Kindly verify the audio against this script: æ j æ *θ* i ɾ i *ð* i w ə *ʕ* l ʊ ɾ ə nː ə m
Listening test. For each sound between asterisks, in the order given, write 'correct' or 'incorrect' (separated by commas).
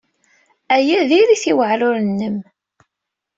incorrect, incorrect, correct